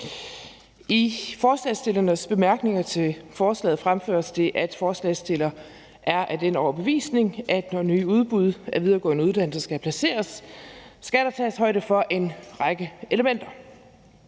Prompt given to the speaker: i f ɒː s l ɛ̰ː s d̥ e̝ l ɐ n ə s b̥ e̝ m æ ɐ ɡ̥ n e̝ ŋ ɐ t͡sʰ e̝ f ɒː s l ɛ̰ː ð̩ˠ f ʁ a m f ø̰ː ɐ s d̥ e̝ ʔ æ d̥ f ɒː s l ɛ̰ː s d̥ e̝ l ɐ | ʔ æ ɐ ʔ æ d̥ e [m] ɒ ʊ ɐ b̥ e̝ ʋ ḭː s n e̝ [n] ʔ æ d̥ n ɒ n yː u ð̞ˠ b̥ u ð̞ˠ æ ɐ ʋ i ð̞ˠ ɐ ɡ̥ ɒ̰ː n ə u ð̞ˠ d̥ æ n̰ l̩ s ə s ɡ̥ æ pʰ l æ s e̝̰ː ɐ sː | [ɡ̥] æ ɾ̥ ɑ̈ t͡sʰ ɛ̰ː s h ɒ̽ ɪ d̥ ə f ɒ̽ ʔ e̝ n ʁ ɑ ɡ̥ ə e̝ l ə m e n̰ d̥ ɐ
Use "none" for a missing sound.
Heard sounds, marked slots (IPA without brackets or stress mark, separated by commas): n, ŋ, ɡ̥